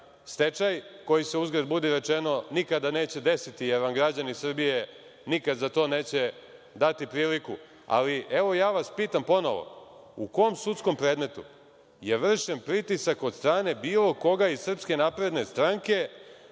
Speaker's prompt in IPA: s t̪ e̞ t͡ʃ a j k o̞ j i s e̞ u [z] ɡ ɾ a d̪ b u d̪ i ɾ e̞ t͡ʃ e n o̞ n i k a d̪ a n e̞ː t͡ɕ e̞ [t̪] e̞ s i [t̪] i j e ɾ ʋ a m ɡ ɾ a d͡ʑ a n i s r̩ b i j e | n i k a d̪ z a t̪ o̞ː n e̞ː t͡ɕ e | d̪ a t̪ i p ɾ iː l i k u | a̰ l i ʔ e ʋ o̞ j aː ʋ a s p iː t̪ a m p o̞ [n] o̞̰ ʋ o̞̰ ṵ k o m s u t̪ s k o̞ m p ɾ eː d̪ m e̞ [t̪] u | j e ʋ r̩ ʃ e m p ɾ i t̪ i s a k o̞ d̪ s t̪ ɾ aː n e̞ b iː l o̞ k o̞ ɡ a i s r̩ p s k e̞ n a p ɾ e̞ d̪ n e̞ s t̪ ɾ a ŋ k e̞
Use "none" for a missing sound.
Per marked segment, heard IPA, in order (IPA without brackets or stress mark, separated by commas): z, d̪, t̪, n, t̪